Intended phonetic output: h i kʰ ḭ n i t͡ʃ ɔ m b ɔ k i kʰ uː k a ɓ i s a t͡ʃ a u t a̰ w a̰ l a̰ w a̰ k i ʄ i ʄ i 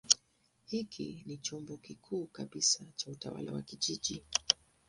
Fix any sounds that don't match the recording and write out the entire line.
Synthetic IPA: h i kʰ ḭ n i t͡ʃ ɔ m b ɔ k i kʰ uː k a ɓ i s a t͡ʃ a u t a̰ w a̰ l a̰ w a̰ k i ʄ i ʄ i